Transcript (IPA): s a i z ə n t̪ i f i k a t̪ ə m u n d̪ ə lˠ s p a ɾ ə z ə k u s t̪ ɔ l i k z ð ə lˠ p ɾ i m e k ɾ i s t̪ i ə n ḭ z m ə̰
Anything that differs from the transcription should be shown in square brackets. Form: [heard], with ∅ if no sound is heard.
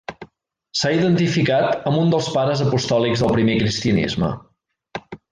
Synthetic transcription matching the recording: s a i [ð] ə n t̪ i f i k a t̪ ə m u n d̪ ə lˠ s p a ɾ ə z ə [p] u s t̪ ɔ l i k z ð ə lˠ p ɾ i m e k ɾ i s t̪ i ə n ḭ z m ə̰